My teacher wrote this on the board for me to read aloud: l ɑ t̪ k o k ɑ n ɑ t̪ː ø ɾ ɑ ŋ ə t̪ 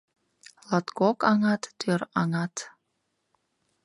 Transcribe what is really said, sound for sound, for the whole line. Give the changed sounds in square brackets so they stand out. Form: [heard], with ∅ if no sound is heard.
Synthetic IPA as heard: l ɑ t̪ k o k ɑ [ŋ] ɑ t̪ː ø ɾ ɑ ŋ [ɑ] t̪